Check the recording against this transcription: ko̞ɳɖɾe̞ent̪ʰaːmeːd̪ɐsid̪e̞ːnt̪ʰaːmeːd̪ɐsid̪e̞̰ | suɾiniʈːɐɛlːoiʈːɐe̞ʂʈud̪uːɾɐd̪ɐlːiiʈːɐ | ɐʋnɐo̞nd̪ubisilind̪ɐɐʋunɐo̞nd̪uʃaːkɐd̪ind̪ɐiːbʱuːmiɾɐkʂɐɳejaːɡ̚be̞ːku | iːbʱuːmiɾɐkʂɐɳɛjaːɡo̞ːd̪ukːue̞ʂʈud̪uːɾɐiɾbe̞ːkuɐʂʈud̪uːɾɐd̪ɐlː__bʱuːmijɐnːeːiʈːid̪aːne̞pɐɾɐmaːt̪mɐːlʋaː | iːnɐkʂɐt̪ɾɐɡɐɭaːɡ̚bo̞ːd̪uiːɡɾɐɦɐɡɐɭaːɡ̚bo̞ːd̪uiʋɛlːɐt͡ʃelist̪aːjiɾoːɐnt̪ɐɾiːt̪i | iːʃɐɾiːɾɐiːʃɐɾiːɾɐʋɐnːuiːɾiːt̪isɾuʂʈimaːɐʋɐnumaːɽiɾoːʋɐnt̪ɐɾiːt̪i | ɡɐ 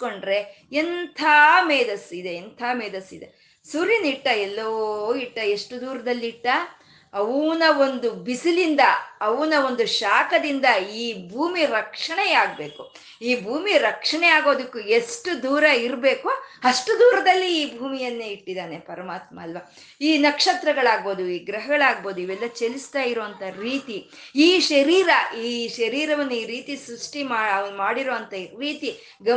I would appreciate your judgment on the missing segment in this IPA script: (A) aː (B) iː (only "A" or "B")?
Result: B